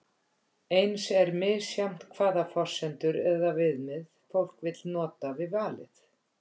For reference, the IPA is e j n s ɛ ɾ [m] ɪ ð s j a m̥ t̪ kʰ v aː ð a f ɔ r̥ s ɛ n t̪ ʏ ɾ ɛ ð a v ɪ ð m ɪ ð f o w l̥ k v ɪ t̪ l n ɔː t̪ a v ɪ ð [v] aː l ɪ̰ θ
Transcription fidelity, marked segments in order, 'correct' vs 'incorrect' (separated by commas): correct, correct